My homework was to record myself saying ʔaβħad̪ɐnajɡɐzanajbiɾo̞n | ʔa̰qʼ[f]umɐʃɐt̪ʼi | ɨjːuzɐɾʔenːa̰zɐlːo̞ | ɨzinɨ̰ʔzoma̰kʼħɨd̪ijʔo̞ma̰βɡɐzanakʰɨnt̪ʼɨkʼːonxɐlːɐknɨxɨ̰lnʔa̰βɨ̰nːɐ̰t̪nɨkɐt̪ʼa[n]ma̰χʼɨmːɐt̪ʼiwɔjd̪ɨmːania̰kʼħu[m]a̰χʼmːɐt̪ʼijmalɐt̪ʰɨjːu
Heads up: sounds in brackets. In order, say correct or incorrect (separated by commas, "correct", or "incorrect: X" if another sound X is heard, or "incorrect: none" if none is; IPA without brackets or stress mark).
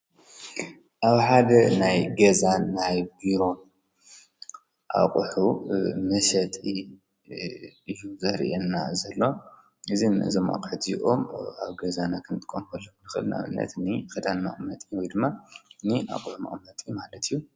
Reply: incorrect: ħ, correct, correct